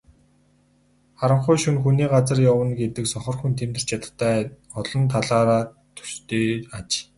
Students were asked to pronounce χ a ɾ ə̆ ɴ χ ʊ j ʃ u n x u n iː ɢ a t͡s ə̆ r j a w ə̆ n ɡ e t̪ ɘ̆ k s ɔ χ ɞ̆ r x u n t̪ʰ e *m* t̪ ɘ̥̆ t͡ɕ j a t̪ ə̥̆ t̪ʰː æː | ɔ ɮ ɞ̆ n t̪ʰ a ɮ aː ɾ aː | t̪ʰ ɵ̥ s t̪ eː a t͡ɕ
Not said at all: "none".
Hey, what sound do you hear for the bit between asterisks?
m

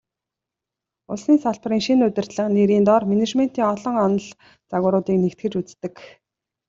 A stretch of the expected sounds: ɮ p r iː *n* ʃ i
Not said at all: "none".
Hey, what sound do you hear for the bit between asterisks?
ŋ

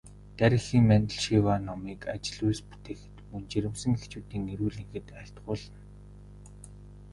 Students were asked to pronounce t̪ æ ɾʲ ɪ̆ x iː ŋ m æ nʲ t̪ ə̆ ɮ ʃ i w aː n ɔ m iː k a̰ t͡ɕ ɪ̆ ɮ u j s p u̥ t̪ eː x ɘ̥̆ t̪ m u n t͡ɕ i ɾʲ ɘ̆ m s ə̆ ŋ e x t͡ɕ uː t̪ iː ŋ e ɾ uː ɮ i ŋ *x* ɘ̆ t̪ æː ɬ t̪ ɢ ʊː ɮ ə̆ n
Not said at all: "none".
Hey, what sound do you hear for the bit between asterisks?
x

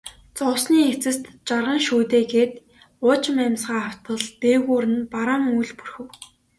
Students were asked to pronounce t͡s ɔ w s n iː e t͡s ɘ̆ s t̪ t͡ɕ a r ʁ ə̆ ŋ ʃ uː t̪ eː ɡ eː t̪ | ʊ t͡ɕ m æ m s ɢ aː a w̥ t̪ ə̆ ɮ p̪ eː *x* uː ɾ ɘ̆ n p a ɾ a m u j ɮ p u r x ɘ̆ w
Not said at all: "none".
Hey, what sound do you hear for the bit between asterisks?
ɣ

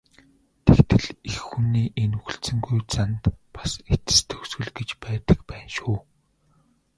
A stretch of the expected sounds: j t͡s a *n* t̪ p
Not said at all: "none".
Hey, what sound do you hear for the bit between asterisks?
n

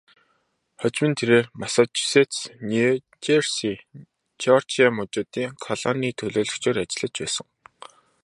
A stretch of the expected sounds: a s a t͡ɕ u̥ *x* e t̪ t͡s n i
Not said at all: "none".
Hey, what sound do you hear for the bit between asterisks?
s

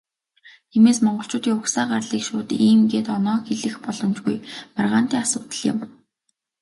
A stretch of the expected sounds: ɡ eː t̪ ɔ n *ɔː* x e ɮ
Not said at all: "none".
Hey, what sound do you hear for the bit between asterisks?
ɔː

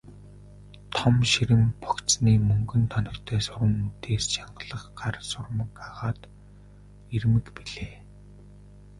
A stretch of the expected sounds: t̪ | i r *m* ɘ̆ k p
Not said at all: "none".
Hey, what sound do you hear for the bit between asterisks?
m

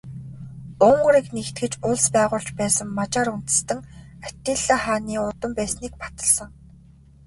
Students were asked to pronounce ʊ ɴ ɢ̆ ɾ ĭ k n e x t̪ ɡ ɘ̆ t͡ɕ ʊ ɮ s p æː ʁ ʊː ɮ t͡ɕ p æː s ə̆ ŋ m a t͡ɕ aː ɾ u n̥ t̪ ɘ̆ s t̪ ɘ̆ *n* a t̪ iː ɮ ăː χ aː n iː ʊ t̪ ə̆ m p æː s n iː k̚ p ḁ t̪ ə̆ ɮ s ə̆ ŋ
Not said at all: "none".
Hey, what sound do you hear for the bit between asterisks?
ŋ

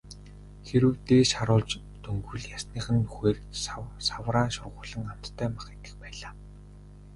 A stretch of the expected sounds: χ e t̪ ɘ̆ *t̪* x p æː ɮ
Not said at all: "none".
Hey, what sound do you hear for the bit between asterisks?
none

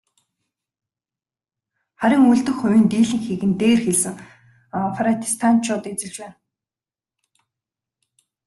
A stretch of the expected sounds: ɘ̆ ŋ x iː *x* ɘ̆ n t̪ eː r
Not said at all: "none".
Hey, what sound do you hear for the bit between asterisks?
ɣ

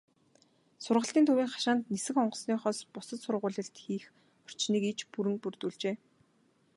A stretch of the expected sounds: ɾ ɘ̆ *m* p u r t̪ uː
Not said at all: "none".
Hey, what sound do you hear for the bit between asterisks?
ŋ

